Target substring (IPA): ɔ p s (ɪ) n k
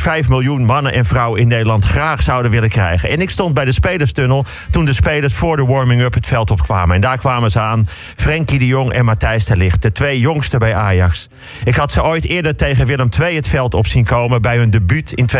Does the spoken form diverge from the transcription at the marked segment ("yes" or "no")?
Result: yes